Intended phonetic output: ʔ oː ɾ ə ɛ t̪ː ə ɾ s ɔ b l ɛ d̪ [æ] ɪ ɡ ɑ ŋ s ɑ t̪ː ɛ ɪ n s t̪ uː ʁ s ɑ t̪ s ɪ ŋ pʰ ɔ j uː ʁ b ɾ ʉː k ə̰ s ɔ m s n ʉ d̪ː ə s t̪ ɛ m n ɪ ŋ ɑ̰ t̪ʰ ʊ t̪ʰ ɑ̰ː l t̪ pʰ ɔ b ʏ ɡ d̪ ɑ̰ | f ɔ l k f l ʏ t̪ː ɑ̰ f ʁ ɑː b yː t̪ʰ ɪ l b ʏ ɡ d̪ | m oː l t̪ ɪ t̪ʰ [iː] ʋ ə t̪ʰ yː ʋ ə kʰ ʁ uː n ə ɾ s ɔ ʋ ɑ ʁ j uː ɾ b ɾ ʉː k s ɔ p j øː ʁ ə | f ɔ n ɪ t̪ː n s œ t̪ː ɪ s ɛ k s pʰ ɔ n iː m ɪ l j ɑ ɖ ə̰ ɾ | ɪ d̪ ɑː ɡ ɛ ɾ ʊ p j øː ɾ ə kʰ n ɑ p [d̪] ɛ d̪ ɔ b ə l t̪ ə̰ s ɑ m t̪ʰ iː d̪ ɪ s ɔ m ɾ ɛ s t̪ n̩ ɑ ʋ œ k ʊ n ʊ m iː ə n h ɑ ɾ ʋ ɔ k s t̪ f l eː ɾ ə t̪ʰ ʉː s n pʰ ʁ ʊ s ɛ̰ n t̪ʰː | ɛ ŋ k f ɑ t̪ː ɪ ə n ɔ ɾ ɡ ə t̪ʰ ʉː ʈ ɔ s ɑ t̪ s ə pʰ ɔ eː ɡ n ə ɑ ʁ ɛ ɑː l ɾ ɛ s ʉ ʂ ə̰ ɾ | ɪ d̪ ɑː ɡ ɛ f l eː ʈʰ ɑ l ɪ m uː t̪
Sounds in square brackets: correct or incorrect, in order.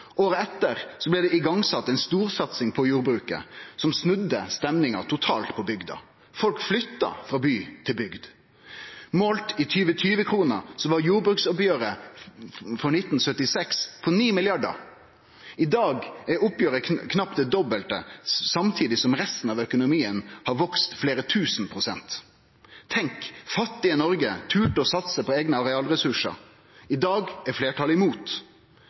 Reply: incorrect: ɛ, incorrect: yː, correct

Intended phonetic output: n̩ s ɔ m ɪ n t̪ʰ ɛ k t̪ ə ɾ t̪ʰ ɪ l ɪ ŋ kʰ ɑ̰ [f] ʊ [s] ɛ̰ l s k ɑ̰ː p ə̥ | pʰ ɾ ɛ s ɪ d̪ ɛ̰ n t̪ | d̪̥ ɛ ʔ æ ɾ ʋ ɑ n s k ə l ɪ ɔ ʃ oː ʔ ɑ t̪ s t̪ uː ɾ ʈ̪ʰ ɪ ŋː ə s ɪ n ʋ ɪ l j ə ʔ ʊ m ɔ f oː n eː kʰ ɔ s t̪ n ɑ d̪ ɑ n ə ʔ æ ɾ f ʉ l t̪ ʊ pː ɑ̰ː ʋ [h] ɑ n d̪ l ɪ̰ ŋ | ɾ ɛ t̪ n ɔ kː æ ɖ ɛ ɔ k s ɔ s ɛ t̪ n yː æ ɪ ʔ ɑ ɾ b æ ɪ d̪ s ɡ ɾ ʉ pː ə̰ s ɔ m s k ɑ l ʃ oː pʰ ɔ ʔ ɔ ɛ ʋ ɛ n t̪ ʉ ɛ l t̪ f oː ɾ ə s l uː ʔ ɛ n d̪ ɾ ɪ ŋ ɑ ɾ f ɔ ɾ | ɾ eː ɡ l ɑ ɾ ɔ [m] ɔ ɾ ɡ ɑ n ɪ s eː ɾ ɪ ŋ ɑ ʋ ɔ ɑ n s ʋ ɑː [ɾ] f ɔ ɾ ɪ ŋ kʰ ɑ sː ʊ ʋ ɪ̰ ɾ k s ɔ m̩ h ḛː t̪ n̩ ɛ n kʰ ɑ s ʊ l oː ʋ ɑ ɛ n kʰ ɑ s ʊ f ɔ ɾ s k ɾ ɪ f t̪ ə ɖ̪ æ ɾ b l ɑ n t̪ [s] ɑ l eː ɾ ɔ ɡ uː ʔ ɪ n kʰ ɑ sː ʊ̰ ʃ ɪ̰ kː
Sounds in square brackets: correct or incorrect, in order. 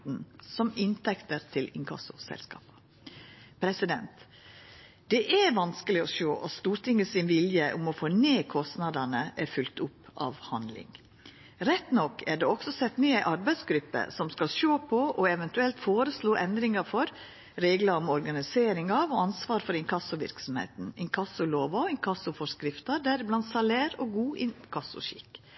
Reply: incorrect: s, correct, correct, correct, correct, correct

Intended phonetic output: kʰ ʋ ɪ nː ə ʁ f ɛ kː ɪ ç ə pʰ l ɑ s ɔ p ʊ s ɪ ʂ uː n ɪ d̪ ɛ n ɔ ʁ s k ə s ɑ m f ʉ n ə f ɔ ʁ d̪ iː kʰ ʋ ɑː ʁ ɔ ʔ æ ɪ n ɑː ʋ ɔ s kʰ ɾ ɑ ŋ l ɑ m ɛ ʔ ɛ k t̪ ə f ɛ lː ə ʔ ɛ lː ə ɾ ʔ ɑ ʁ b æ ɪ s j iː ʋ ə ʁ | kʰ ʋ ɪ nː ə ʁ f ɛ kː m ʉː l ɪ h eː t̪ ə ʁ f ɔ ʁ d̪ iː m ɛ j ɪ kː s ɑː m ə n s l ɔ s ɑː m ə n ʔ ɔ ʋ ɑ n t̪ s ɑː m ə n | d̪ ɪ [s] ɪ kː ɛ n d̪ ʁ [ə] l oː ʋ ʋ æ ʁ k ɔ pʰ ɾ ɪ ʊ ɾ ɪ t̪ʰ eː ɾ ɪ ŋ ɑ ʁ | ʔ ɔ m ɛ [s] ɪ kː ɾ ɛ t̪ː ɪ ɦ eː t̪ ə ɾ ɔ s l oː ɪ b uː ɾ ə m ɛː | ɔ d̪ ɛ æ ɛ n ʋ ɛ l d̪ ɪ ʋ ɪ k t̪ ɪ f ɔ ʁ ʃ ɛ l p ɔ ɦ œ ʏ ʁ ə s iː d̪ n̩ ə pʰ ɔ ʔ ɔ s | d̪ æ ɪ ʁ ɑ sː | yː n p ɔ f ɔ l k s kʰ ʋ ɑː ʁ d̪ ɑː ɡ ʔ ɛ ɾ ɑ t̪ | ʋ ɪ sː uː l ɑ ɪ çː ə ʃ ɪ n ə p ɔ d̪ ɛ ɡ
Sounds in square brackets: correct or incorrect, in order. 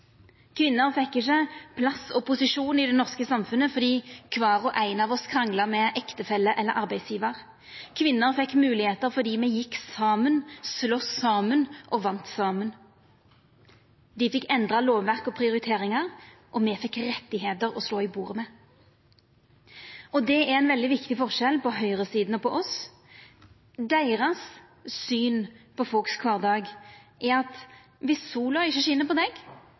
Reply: incorrect: f, incorrect: ɑ, incorrect: f

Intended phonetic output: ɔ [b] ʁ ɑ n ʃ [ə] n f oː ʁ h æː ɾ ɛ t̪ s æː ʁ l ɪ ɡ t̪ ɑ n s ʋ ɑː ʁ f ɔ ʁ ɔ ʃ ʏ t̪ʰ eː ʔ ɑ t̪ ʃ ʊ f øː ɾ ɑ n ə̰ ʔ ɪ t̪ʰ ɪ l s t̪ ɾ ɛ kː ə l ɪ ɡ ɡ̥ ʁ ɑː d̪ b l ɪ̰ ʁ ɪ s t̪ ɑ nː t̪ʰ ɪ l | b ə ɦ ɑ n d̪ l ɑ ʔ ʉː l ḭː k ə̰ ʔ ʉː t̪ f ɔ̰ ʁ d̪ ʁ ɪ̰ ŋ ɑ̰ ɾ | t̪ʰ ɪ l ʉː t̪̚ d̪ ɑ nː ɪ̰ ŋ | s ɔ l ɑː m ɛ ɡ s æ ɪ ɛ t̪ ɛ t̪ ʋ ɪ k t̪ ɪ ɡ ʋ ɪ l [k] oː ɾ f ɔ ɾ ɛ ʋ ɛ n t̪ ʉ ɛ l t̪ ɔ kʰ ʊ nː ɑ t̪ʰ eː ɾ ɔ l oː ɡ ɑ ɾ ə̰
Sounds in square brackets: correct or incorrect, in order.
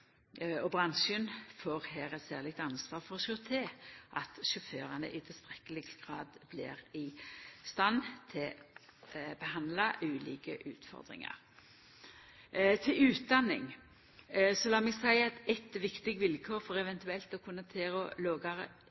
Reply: correct, correct, incorrect: kʰ

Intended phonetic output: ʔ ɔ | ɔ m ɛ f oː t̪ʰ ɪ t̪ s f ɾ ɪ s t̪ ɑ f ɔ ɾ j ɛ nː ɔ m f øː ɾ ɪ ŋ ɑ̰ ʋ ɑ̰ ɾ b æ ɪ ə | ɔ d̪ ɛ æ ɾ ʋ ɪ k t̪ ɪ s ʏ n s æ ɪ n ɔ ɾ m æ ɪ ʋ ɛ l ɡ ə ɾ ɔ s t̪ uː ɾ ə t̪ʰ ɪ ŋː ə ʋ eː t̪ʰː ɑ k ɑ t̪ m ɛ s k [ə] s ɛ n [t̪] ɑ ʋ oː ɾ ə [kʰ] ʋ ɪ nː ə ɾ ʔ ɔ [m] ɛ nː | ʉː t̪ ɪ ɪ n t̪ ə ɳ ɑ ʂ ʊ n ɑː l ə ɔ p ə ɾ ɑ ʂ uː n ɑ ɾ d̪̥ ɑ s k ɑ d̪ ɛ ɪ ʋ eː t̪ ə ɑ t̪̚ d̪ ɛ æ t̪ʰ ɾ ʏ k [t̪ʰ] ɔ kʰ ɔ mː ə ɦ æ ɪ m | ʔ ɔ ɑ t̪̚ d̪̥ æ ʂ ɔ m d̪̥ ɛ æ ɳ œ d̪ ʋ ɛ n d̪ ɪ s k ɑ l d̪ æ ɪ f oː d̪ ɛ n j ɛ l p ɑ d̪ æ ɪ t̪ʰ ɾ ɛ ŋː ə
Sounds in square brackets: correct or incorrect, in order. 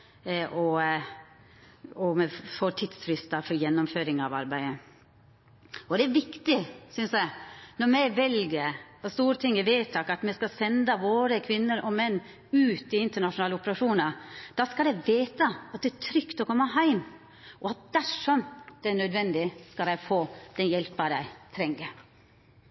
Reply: incorrect: ɑ, incorrect: d̪, correct, correct, incorrect: t̪

